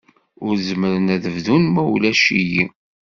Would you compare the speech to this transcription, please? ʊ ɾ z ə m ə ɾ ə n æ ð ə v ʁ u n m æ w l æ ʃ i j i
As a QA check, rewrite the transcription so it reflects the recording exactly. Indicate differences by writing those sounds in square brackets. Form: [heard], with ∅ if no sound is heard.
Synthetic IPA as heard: ʊ ɾ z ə m ə ɾ ə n æ ð ə v [ð] u n m æ w l æ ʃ i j i